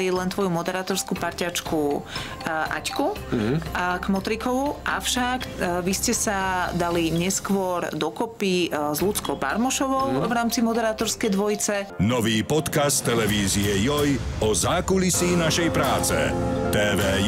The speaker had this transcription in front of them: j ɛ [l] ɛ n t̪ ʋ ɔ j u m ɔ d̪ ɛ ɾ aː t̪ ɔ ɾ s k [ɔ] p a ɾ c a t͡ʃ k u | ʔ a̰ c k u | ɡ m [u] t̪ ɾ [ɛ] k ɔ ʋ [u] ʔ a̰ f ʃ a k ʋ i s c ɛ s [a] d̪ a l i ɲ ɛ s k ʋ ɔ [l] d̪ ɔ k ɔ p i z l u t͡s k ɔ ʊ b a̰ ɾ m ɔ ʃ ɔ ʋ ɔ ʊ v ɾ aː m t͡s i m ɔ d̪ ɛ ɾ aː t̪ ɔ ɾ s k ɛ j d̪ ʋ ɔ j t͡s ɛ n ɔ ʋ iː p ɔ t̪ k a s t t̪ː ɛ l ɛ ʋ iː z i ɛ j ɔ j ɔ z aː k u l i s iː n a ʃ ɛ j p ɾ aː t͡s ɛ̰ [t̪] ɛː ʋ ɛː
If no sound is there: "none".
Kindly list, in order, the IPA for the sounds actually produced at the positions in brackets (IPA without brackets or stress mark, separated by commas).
l, u, ɔ, i, u, a, ɾ, t̪